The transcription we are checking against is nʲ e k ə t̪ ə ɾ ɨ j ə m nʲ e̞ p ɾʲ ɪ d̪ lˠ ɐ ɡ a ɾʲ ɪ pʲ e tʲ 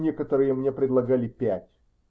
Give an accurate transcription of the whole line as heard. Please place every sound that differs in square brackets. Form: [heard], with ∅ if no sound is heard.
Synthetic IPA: nʲ e k ə t̪ ə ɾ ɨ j ə m nʲ e̞ p ɾʲ ɪ d̪ lˠ ɐ ɡ a [lʲ] ɪ pʲ [æ] tʲ